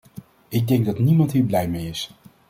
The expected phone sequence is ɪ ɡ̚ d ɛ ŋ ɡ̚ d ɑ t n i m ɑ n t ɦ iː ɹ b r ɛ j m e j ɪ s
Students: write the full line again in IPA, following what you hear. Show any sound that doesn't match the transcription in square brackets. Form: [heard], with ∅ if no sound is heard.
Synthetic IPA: ɪ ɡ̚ d ɛ ŋ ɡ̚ d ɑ t n i m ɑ n t ɦ iː ɹ b [l] ɛ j m e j ɪ s